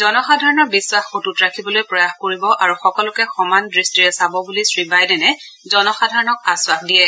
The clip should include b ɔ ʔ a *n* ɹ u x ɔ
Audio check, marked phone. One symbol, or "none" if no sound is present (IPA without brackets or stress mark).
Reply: none